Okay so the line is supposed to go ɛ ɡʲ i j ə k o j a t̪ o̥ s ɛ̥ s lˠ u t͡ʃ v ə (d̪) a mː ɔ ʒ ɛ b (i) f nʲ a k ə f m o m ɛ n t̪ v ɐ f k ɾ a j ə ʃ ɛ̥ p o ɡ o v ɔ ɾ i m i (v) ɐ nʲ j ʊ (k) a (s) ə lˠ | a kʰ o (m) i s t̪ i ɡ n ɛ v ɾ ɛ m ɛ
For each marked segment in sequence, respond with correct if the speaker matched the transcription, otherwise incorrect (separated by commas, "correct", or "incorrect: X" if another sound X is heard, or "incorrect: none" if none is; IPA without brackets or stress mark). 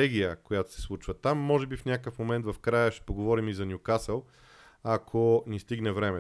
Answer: incorrect: t̪, correct, incorrect: z, correct, correct, incorrect: n